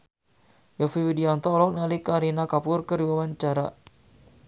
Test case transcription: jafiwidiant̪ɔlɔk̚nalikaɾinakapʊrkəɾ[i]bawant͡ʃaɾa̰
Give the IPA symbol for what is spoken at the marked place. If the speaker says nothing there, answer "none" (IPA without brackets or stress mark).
i